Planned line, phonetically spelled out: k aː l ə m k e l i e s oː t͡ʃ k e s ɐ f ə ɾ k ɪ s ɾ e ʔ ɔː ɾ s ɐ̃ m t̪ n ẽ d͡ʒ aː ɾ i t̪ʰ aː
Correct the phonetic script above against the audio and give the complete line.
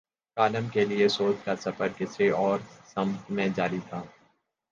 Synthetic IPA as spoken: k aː l ə m k e l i e s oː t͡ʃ k a s ɐ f ə ɾ k ɪ s ɾ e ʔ ɔː ɾ s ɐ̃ m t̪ m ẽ d͡ʒ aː ɾ i t̪ʰ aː